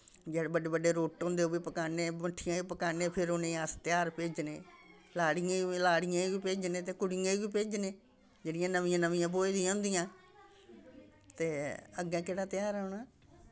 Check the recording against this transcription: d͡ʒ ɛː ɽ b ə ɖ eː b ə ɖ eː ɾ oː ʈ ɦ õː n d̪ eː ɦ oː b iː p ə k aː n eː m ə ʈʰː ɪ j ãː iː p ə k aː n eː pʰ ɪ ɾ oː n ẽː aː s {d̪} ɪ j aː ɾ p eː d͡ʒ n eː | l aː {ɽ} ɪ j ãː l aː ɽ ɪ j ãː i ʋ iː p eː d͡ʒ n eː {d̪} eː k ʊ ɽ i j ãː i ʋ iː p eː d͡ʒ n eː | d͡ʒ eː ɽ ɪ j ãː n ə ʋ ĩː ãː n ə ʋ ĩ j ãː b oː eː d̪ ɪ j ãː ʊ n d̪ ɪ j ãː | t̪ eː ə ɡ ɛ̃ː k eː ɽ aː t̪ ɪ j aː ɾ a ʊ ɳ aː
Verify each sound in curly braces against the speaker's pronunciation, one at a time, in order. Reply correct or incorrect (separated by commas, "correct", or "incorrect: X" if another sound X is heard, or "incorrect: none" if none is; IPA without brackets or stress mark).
incorrect: t̪, correct, incorrect: t̪